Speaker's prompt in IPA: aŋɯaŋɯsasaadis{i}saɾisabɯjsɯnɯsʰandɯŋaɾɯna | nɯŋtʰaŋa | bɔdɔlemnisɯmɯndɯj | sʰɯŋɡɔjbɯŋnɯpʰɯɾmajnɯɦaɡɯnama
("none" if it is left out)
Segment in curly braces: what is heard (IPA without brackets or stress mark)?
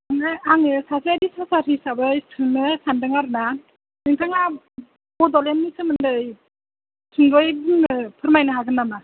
a